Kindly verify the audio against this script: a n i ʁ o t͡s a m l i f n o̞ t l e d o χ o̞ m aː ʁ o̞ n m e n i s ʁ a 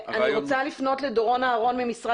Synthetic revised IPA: a n i ʁ o t͡s a l i f n o̞ t l e d o ʁ o̞ n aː ʁ o̞ n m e m i s ʁ a

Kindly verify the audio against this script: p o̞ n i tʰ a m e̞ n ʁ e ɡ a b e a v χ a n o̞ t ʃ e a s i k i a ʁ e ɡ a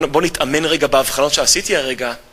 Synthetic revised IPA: b o̞ n i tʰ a m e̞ n ʁ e ɡ a b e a v χ a n o̞ t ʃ e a s i t i a ʁ e ɡ a

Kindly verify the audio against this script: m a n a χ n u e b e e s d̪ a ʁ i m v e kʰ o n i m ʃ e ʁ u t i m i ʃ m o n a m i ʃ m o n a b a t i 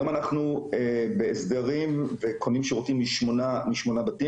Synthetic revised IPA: m a n a χ n u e b e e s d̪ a ʁ i m v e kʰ o n i m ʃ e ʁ o t i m i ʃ m o n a m i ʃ m o n a b a t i

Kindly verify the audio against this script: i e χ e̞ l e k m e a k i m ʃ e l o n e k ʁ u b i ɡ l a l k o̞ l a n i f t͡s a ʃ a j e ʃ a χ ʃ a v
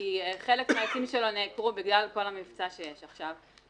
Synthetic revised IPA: i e χ e̞ l e k m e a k i m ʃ e l o n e k ʁ u b i ɡ l a l k o̞ l a m i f t͡s a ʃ e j e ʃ a χ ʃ a v

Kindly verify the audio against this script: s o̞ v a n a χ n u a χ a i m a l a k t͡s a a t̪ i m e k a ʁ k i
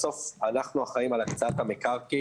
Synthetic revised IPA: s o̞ f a n a χ n u a χ a i m a l a k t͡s a a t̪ a m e k a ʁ k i

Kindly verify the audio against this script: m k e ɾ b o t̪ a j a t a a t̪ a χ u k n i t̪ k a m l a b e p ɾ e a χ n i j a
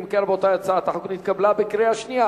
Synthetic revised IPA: m k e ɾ b o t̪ a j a t͡s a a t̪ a ħ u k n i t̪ k a b l a b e k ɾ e a ʃ n i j a

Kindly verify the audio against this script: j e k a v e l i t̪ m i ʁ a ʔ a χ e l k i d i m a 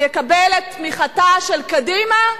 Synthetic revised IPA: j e k a b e l e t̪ m i χ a t a ʃ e l k a d i m a

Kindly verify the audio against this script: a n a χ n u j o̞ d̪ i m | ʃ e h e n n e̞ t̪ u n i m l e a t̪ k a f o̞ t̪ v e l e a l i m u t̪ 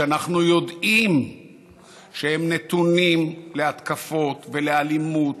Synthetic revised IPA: a n a χ n u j o̞ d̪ i m | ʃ e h e m n e̞ t̪ u n i m l e a t̪ k a f o̞ t̪ v e l e a l i m u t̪

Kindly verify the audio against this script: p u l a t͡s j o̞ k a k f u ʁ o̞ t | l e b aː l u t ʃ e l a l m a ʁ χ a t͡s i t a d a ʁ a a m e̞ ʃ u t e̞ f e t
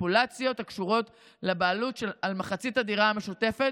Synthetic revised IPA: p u l a t͡s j o̞ t a k ʃ u ʁ o̞ t | l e b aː l u t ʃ e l a l m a χ a t͡s i t a d i ʁ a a m e̞ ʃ u t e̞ f e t

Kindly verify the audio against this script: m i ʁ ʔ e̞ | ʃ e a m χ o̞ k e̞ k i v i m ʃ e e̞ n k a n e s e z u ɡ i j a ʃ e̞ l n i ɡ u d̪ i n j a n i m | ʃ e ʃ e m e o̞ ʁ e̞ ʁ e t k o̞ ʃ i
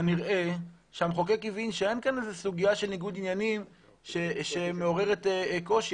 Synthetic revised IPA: n i ʁ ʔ e̞ | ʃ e a m χ o̞ k e̞ k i v i n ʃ e e̞ n k a n e z e s u ɡ i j a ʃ e̞ l n i ɡ u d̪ i n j a n i m | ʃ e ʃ e m e o̞ ʁ e̞ ʁ e t k o̞ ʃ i

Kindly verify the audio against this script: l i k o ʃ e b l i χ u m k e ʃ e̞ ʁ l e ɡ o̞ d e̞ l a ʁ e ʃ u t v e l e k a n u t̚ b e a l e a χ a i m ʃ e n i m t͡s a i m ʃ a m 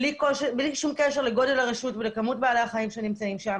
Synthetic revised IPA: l i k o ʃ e b l i ʃ u m k e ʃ e̞ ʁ l e ɡ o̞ d e̞ l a ʁ e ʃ u t v e l e k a m u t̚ b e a l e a χ a i m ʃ e n i m t͡s a i m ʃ a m

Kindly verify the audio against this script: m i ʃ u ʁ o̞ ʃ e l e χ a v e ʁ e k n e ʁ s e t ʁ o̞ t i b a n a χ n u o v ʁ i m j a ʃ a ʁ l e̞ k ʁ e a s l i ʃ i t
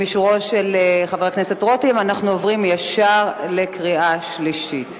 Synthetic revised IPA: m i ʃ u ʁ o̞ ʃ e l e χ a v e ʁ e k n e s e t ʁ o̞ t i m a n a χ n u o v ʁ i m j a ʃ a ʁ l e̞ k ʁ i a ʃ l i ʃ i t

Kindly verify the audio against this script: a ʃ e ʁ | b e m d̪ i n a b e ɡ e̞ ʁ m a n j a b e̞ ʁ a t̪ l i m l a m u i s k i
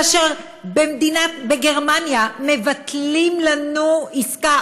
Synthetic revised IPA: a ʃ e ʁ | b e m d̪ i n a b e ɡ e̞ ʁ m a n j a m e̞ v a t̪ l i m l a n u i s k a

